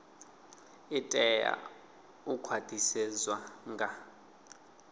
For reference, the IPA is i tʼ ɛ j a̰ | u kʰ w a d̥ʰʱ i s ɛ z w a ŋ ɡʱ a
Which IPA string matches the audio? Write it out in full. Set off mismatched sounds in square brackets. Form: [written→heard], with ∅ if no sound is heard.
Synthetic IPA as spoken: i tʼ ɛ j a̰ | u kʰ w a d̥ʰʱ i s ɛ z w a ŋ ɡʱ a